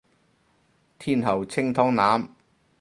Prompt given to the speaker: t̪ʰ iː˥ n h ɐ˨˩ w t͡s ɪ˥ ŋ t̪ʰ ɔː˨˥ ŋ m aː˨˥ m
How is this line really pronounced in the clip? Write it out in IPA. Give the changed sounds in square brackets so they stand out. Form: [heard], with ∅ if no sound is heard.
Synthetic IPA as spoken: t̪ʰ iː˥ n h ɐ˨˩ w [t͡sʰ] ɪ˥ ŋ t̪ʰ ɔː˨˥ ŋ [n] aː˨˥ m